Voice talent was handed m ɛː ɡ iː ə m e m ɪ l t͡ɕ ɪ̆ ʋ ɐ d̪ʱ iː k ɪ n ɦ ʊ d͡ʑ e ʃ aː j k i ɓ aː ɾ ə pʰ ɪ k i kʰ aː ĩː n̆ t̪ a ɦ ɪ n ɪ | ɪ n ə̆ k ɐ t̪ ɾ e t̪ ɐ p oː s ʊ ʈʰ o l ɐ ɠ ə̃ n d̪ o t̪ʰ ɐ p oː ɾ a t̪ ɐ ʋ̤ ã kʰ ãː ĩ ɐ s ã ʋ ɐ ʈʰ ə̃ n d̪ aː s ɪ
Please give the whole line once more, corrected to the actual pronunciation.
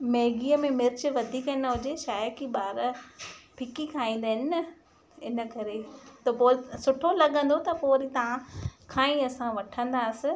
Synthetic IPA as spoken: m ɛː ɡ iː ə m ẽ m ɪ ɾ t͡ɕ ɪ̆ ʋ ɐ d̪ʱ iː k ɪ n ɦ ʊ d͡ʑ e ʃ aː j k i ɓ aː ɾ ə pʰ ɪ k i kʰ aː ĩː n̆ d̪ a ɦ ɪ n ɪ | ɪ n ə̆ k ɐ ɾ e t̪ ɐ p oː s ʊ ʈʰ o l ɐ ɠ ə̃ n d̪ o t̪ ɐ p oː ɾ i t̪ ɐ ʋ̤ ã kʰ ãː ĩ ɐ s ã ʋ ɐ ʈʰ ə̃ n d̪ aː s ɪ